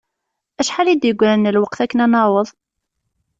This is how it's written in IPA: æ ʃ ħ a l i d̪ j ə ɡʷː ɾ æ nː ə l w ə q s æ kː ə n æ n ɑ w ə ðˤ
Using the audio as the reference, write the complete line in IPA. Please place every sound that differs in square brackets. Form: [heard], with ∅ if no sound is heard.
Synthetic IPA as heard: æ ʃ ħ a l i d̪ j ə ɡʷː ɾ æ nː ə l w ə q [θ] æ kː ə n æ n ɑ w ə ðˤ

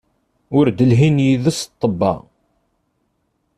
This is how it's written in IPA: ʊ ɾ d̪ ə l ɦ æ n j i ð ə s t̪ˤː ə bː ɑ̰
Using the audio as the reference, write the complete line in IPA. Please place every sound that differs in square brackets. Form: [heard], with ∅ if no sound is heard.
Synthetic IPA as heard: ʊ ɾ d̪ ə l ɦ [i] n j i ð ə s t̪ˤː ə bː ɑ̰

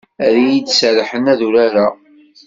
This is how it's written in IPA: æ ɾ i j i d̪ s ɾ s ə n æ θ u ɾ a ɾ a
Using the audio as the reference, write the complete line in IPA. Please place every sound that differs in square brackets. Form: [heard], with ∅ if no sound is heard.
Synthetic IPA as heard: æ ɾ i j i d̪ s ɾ [ħ] ə n æ [ð] u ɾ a ɾ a

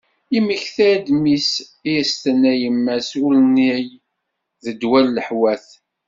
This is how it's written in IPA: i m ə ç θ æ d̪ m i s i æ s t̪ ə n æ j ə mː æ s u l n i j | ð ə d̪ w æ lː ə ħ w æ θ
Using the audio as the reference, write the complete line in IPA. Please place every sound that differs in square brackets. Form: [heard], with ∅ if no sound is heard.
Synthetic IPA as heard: i m ə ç θ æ d̪ m i s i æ s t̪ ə n æ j ə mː æ s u l n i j | ð ə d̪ w æ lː ə ħ w æ θ

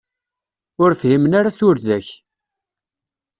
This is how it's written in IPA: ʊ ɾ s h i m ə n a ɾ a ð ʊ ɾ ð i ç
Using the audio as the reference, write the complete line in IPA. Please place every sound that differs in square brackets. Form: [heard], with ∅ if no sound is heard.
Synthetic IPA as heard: ʊ ɾ [f] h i m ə n a ɾ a [θ] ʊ ɾ ð [æ] ç

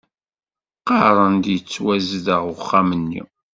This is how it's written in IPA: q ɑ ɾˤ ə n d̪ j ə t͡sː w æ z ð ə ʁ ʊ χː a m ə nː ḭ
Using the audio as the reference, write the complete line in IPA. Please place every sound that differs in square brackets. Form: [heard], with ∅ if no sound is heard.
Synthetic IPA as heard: q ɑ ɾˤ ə n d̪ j ə t͡sː w æ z ð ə ʁ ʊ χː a m ə nː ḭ

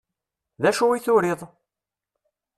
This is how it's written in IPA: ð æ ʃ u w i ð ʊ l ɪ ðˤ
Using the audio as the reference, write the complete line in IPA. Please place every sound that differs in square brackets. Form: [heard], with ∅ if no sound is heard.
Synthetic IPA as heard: ð æ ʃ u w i [θ] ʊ [ɾ] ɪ ðˤ

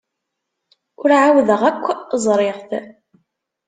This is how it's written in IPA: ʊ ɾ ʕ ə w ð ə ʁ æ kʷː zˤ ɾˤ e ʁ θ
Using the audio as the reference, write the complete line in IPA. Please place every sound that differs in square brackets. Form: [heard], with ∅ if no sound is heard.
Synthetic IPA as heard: ʊ ɾ ʕ [a] w ð ə ʁ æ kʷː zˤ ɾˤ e ʁ θ

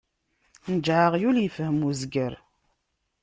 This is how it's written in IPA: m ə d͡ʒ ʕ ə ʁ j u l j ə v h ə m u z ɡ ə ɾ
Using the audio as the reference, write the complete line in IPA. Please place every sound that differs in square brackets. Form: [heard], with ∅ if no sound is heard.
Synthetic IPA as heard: [n] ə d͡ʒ ʕ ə ʁ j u l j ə [f] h ə m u z ɡ ə ɾ

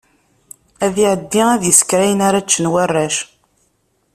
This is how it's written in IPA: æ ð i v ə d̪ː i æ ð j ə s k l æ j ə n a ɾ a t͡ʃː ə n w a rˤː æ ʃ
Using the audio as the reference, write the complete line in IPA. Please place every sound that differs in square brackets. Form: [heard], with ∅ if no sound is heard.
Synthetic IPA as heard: æ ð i [ʕ] ə d̪ː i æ ð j ə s k [ɾ] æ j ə n a ɾ a t͡ʃː ə n w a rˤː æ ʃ

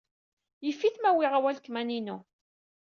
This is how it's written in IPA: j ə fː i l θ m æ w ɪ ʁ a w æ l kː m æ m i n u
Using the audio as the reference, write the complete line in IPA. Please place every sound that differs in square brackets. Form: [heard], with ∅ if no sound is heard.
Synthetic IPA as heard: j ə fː i [∅] θ m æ w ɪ ʁ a w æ l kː m æ [n] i n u

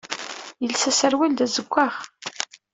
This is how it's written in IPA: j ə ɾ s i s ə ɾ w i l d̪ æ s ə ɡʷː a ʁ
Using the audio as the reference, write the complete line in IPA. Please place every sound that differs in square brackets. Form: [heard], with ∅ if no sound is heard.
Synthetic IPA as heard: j ə [l] s [æ] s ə ɾ w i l d̪ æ [z] ə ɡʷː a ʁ

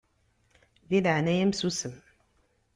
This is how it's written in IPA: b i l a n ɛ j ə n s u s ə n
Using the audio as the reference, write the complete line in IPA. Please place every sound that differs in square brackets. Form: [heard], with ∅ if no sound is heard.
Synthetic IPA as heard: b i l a n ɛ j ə [m] s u s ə [m]

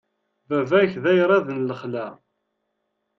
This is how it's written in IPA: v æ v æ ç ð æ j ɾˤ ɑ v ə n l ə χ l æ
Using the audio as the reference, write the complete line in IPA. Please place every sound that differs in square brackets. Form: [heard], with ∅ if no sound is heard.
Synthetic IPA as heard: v æ v æ ç ð æ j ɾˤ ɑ [ð] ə n l ə χ l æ

